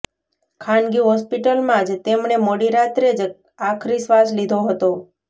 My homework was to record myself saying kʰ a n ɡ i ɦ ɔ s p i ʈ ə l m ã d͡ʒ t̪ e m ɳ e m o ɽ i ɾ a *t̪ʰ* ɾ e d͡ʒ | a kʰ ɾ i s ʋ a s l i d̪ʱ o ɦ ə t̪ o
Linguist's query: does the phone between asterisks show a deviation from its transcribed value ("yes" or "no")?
yes